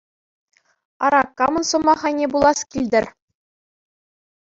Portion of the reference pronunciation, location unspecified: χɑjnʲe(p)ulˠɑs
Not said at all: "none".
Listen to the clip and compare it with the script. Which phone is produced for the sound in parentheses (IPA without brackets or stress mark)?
b